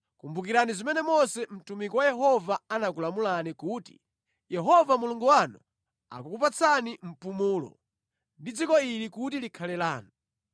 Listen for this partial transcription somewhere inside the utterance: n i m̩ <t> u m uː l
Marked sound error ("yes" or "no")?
yes